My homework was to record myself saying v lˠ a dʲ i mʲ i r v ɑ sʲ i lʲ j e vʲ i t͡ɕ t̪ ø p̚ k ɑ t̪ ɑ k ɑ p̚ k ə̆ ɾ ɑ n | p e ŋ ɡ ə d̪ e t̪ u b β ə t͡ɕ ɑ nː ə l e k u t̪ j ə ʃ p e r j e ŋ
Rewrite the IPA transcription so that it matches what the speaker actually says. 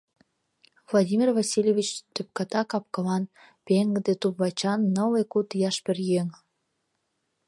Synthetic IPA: v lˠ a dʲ i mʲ i r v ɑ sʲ i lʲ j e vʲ i t͡ɕ t̪ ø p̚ k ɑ t̪ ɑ k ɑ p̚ k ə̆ l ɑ n | p e ŋ ɡ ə d̪ e t̪ u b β ɑ t͡ɕ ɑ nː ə l e k u t̪ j ɑ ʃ p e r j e ŋ

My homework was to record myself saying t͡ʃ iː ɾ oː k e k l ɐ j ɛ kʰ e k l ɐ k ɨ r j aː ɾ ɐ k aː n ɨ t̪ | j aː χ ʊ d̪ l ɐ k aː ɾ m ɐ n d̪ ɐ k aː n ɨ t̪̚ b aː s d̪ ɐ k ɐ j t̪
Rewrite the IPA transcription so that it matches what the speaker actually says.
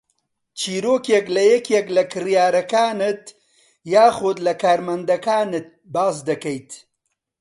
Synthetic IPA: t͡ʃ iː ɾ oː k e k l ɐ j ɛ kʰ e k l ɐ k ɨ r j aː ɾ ɐ k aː n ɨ t̪ | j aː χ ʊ d̪ l ɐ k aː ɾ m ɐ n d̪ ɐ k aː n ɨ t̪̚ b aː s d̪ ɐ k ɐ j t̪

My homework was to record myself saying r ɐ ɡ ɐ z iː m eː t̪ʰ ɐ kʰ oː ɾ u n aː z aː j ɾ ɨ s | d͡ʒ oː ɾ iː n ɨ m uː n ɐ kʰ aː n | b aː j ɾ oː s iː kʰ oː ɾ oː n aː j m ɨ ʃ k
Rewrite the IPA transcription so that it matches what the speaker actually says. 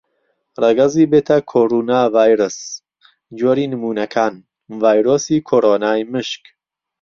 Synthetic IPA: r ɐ ɡ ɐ z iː b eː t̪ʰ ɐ kʰ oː ɾ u n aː v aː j ɾ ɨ s | d͡ʒ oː ɾ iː n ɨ m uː n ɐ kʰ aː n | v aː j ɾ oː s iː kʰ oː ɾ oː n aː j m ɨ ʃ k

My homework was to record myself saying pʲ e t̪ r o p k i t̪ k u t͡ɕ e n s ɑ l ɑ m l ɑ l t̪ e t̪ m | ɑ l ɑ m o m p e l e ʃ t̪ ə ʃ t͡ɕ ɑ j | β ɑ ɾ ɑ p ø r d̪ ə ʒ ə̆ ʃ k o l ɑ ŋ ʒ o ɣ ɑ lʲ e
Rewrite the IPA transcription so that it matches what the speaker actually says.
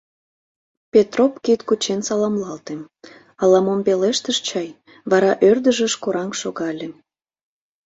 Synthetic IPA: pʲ e t̪ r o p k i t̪ k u t͡ɕ e n s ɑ l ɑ m l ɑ l t̪ e m | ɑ l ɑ m o m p e l e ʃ t̪ ə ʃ t͡ɕ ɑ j | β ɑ ɾ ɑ ʔ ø r d̪ ə ʒ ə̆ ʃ k o ɾ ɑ ŋ ʃ o ɣ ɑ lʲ e

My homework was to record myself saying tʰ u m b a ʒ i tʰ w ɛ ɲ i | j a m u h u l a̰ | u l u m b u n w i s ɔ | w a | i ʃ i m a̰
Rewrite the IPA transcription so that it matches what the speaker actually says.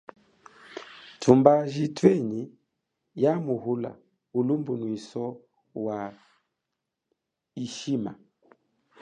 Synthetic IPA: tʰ u m b a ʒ i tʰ w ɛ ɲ i | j a m u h u l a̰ | u l u m b u n w i s ɔ | w a | i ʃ i m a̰

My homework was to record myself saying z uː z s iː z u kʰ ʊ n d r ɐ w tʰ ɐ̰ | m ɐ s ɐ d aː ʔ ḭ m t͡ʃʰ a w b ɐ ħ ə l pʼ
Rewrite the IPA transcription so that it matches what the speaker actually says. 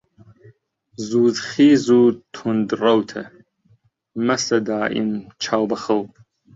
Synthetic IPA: z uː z χ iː z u tʰ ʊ n d r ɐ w tʰ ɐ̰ | m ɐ s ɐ d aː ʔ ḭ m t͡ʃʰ a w b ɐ χ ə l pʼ

